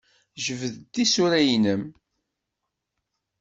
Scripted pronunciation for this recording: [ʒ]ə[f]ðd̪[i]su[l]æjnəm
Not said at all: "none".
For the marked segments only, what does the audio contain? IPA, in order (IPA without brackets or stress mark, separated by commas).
ʒ, v, i, ɾ